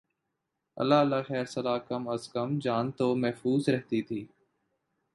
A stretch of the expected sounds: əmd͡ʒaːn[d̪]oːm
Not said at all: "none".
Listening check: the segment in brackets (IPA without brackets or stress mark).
t̪